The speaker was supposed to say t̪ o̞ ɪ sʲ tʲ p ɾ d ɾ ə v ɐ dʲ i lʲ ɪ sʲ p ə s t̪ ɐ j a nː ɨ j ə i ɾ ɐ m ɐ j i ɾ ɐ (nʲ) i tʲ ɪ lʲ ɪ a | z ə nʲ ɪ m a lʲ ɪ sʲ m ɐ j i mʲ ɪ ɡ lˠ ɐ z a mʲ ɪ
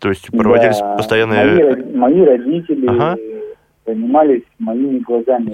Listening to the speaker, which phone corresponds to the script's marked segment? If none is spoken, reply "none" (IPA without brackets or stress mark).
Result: dʲ